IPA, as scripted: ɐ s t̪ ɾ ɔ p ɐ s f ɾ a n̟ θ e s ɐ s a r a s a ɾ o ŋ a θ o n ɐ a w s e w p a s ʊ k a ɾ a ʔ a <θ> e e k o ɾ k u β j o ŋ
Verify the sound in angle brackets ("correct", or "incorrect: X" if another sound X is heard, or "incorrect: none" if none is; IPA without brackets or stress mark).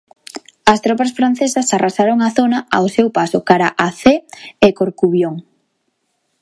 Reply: correct